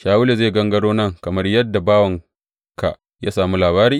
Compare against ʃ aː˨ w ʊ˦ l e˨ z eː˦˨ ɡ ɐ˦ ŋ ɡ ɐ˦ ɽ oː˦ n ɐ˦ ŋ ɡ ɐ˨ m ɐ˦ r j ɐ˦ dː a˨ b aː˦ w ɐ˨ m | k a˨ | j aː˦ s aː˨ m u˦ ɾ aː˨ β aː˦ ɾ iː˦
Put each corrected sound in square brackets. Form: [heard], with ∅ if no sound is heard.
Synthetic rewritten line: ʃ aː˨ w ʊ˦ l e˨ z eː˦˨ ɡ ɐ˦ ŋ ɡ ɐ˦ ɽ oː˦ n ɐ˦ ŋ [k] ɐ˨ m ɐ˦ r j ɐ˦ dː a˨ b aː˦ w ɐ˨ [ŋ] | k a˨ | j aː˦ s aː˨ m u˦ [l] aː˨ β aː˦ ɾ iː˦